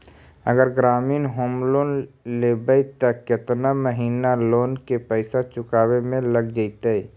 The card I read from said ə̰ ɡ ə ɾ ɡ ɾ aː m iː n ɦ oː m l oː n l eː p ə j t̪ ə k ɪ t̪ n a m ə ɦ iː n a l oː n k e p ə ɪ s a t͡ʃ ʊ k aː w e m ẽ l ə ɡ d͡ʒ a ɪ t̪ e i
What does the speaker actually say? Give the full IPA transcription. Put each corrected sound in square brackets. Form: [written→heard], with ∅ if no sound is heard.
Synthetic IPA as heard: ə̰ ɡ ə ɾ ɡ ɾ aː m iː n ɦ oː m l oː n l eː [p→b] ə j t̪ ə k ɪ t̪ n a m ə ɦ iː n a l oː n k e p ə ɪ s a t͡ʃ ʊ k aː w e m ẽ l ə ɡ d͡ʒ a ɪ t̪ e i